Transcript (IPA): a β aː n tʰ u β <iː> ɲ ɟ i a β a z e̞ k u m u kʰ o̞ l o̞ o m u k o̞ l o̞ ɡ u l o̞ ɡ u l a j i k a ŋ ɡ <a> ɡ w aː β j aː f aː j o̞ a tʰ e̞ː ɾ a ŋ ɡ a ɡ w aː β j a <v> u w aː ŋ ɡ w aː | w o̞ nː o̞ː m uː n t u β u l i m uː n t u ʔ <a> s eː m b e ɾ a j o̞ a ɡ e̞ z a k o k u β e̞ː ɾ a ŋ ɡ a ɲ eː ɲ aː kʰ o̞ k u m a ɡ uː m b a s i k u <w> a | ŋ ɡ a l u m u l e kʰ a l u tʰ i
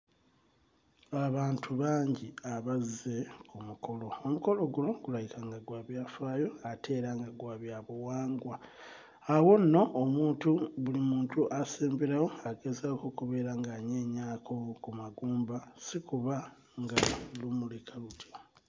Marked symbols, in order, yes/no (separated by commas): no, yes, no, yes, no